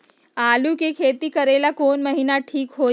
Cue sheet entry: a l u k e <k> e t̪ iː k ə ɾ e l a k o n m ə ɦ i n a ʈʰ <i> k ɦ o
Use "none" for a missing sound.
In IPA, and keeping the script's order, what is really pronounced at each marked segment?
kʰ, iː

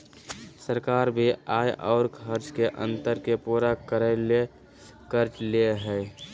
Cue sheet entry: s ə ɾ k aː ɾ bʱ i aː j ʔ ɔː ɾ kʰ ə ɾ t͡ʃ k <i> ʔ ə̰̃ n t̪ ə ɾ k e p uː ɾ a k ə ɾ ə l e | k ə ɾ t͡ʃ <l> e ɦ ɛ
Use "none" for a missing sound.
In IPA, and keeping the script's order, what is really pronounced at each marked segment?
e, l

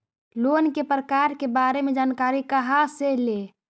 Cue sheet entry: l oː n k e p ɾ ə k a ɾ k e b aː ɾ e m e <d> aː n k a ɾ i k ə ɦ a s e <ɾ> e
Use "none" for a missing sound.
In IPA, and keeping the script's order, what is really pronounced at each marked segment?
d͡ʒ, l

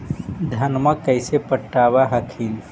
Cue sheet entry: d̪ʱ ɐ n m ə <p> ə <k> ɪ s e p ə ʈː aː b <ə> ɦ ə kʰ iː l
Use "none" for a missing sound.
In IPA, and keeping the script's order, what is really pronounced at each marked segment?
k, none, a

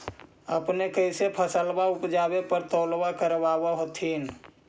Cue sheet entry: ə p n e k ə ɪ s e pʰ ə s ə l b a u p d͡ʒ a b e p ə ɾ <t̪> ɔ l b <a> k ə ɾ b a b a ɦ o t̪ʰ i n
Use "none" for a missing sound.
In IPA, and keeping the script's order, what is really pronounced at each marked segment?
t̪, a

